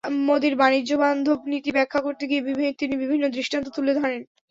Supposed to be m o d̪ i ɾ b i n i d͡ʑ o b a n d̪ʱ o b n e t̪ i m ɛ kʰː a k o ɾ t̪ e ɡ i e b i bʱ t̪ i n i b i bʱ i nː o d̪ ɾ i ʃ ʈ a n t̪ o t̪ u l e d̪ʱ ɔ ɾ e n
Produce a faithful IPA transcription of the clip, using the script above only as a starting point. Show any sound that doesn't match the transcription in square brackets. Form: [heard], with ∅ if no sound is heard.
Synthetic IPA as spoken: m o d̪ i ɾ b [a] n i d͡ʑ o b a n d̪ʱ o b n [i] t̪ i [b] ɛ kʰː a k o ɾ t̪ e ɡ i e b i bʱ t̪ i n i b i bʱ i nː o d̪ ɾ i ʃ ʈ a n t̪ o t̪ u l e d̪ʱ ɔ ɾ e n